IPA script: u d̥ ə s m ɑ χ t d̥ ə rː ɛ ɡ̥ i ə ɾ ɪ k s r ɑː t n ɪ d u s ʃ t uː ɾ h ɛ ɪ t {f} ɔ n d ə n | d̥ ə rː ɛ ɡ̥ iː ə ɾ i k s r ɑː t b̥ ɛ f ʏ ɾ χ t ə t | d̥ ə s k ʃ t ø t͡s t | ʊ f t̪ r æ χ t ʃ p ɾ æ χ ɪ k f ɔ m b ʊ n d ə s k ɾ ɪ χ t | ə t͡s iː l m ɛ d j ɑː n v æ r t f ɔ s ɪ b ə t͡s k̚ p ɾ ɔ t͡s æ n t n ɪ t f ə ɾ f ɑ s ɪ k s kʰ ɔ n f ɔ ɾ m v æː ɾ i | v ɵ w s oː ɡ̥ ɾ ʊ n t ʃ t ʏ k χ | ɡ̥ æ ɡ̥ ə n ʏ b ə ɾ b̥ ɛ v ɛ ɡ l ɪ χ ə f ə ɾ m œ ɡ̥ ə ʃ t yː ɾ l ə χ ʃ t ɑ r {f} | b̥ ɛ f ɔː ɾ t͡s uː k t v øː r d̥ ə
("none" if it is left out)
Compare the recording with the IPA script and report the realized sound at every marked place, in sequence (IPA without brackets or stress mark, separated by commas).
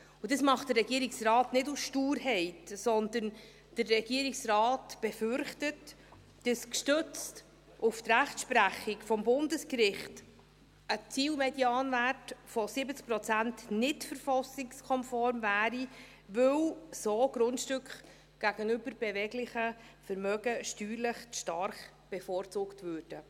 s, χ